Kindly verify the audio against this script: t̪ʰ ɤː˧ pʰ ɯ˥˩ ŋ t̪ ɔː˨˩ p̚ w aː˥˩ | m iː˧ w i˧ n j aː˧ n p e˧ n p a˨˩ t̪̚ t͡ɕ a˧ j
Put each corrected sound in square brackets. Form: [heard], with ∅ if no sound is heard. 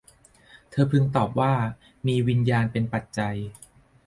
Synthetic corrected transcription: t̪ʰ ɤː˧ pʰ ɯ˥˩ ŋ t̪ ɔː˨˩ p̚ w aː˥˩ | m iː˧ w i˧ n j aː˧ n p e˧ n p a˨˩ t̪̚ t͡ɕ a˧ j